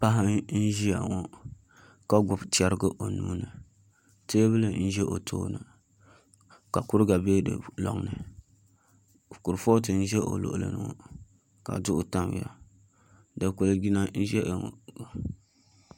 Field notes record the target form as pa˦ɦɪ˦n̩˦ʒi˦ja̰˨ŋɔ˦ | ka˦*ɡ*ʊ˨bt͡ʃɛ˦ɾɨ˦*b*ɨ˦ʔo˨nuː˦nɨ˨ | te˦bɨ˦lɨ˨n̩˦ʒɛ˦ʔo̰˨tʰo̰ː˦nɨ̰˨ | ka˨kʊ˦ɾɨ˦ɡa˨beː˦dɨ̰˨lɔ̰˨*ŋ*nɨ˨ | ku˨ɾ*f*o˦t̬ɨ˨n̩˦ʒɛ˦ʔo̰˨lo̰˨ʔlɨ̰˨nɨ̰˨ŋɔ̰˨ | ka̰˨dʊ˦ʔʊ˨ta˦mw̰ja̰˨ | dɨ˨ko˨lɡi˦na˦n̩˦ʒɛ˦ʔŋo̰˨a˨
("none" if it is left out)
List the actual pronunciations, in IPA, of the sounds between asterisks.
ɡ, ɡ, ŋ, f

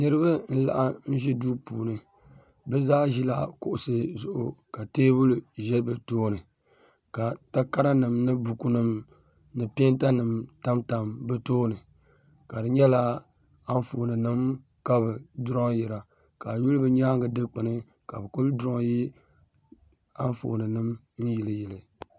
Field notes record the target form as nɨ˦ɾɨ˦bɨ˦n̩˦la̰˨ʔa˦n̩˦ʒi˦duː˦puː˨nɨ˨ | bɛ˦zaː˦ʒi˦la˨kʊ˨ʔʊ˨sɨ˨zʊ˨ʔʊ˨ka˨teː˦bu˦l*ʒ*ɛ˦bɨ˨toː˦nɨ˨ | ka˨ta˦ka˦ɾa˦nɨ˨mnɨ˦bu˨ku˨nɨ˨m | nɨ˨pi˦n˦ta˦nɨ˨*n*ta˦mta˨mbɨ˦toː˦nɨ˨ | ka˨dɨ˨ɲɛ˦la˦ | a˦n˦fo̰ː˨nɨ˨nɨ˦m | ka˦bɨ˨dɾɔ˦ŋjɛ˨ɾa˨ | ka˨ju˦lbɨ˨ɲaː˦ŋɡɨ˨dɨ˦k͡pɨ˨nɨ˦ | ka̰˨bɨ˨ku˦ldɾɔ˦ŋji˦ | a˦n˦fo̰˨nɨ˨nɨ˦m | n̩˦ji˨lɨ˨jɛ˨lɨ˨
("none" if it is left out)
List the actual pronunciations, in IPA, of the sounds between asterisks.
ʒ, m

